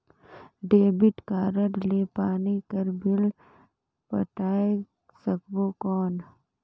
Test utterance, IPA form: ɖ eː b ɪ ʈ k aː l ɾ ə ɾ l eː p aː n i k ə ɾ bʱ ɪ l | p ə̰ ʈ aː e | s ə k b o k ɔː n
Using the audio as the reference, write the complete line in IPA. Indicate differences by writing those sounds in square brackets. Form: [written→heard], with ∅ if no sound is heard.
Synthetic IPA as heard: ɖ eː b ɪ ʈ k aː [l→∅] ɾ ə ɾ l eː p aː n i k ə ɾ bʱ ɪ l | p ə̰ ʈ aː e | s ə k b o k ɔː n